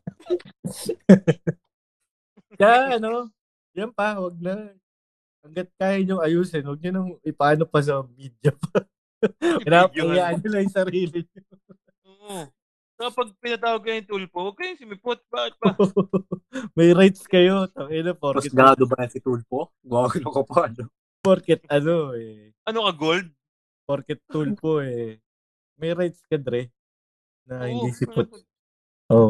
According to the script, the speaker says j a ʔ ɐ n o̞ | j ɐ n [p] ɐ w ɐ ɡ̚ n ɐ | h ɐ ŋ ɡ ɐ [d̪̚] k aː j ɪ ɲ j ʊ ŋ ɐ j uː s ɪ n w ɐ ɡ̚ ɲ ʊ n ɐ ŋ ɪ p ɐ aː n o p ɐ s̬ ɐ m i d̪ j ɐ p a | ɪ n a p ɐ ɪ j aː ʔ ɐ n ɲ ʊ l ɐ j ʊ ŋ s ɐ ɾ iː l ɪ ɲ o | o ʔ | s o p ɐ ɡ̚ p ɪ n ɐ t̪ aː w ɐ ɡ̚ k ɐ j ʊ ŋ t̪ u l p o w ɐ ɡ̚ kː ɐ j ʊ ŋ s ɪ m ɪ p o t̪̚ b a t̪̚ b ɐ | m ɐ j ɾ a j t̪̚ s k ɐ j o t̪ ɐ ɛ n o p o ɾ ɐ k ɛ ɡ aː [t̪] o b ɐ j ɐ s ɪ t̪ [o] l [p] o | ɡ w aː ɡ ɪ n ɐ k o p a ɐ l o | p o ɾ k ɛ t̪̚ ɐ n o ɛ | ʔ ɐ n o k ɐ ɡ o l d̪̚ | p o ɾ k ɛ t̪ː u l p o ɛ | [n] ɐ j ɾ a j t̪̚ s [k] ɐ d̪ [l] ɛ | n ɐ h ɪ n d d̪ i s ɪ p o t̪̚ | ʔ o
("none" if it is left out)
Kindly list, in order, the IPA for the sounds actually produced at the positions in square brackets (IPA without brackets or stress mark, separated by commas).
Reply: p, t̪̚, d̪, u, p, m, k, ɾ